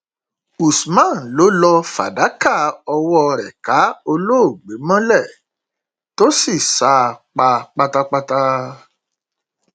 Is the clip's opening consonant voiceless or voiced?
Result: voiceless